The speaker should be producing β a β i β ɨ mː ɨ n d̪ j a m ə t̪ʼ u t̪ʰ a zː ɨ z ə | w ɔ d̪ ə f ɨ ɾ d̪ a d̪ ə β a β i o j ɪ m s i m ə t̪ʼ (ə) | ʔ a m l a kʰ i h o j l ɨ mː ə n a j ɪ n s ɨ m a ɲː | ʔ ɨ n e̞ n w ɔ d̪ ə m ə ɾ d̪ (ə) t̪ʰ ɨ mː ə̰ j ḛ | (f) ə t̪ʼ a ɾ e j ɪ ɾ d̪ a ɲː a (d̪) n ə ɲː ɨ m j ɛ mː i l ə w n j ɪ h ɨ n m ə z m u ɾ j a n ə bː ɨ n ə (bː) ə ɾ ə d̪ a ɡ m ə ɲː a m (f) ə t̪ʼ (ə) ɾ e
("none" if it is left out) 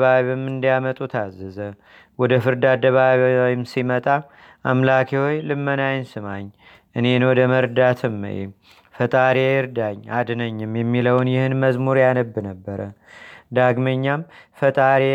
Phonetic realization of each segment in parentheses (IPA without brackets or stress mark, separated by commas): a, a, f, d̪, bː, f, a